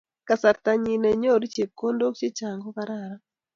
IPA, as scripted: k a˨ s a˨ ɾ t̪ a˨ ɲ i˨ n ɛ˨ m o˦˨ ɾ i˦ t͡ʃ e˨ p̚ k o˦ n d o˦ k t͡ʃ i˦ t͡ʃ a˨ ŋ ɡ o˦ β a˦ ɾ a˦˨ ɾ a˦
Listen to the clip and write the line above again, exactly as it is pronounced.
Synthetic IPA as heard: k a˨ s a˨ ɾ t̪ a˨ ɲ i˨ n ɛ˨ ɲ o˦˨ ɾ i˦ t͡ʃ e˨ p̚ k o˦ n d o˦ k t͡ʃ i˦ t͡ʃ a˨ ŋ ɡ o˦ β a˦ ɾ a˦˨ ɾ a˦